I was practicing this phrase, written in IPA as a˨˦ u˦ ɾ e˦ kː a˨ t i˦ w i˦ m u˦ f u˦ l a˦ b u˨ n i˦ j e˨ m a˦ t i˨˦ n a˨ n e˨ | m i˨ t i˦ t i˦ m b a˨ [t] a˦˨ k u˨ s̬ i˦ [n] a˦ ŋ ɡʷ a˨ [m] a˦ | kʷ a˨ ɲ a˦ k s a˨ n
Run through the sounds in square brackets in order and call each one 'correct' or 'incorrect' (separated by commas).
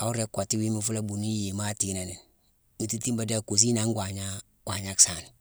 incorrect, correct, incorrect